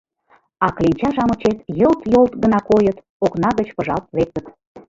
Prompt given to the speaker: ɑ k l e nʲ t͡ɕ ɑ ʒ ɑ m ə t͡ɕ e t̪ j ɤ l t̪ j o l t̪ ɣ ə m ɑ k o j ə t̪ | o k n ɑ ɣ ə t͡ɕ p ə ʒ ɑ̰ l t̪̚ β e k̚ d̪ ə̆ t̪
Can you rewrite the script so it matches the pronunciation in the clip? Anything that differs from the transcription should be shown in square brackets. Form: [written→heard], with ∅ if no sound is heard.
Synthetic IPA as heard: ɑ k l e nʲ t͡ɕ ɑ ʒ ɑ m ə t͡ɕ e t̪ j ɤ l t̪ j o l t̪ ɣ ə [m→n] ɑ k o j ə t̪ | o k n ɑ ɣ ə t͡ɕ p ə ʒ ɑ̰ l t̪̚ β e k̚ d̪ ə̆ t̪